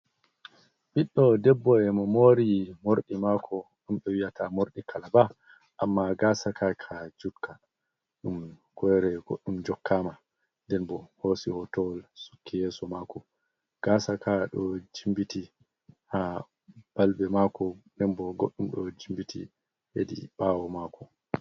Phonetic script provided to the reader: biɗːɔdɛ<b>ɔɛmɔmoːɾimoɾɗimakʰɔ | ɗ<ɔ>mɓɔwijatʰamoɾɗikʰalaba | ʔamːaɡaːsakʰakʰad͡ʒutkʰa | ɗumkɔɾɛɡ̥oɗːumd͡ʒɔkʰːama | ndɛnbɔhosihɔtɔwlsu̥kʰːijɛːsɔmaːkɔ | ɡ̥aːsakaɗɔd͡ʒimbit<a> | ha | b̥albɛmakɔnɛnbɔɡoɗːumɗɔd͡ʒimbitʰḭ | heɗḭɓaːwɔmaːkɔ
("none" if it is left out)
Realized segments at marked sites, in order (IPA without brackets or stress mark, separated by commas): bː, u, i